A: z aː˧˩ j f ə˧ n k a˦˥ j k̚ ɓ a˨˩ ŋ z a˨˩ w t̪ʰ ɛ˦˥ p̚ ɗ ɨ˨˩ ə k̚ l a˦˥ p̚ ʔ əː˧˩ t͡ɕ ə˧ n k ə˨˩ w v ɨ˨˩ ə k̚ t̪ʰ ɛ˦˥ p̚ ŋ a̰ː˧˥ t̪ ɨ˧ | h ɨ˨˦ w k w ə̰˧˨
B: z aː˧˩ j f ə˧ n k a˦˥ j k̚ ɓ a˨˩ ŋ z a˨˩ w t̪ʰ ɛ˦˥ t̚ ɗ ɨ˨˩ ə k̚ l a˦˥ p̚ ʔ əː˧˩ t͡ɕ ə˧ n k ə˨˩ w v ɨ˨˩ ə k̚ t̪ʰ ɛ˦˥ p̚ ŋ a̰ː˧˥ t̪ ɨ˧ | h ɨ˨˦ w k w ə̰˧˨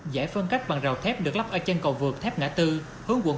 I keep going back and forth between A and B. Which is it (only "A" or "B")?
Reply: A